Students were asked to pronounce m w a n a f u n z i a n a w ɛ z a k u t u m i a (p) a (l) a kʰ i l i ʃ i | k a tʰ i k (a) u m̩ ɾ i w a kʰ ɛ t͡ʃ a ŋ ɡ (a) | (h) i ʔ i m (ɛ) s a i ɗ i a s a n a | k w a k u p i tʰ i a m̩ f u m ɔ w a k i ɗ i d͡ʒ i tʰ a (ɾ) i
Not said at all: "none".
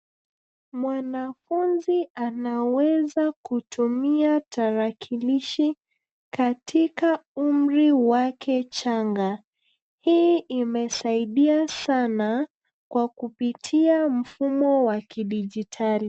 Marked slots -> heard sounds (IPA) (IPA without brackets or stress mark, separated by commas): t, ɾ, a, a, h, ɛ, l